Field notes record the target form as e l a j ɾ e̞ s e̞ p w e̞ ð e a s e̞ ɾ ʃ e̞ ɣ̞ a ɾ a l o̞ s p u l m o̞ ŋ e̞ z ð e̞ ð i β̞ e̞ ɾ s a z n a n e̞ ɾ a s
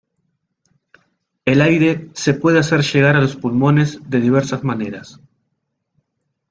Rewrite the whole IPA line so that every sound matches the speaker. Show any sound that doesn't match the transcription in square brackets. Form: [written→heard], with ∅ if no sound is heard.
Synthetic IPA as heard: e l a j ɾ e̞ s e̞ p w e̞ ð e a s e̞ ɾ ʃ e̞ ɣ̞ a ɾ a l o̞ s p u l m o̞ [ŋ→n] e̞ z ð e̞ ð i β̞ e̞ ɾ s a z [n→m] a n e̞ ɾ a s